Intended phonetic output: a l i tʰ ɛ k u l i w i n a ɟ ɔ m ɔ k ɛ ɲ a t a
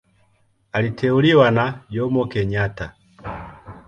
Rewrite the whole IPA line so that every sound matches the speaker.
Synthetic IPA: a l i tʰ ɛ u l i w a n a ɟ ɔ m ɔ k ɛ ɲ a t a